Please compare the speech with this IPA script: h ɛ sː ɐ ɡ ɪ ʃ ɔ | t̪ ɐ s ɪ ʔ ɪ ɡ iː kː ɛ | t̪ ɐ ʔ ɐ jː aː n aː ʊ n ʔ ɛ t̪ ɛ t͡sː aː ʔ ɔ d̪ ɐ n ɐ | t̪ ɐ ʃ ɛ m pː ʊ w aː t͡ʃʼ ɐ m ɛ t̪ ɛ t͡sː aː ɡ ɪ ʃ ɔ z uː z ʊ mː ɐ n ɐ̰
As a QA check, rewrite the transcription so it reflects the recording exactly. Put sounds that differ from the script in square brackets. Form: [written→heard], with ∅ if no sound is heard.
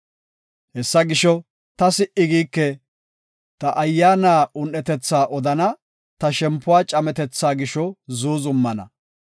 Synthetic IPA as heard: h ɛ sː ɐ ɡ ɪ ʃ ɔ | t̪ ɐ s ɪ ʔ ɪ ɡ iː kː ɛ | t̪ ɐ ʔ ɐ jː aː n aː ʊ n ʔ ɛ t̪ ɛ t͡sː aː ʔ ɔ d̪ ɐ n ɐ | t̪ ɐ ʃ ɛ m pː ʊ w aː t͡ʃʼ ɐ m ɛ t̪ ɛ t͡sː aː ɡ ɪ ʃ ɔ z uː z ʊ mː ɐ n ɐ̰